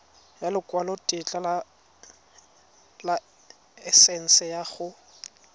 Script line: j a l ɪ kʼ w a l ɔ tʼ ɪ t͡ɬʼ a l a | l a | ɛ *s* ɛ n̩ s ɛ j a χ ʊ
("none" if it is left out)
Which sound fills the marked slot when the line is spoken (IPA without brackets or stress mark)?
s